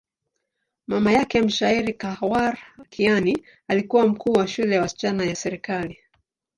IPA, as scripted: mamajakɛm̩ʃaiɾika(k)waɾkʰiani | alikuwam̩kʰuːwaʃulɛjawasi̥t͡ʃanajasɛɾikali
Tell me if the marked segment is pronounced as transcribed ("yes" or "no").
no